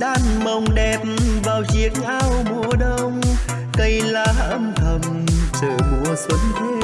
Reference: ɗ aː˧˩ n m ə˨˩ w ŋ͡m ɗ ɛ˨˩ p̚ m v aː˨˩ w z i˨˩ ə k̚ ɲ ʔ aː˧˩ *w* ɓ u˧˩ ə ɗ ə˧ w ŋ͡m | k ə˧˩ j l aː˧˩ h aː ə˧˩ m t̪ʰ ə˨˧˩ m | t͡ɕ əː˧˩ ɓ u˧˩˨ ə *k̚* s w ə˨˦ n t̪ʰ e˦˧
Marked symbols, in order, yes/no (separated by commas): yes, no